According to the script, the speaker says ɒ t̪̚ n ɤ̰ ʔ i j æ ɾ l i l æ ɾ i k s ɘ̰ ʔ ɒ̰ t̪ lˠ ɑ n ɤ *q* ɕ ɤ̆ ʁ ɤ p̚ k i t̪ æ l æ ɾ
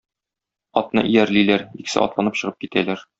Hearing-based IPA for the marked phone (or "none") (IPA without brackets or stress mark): p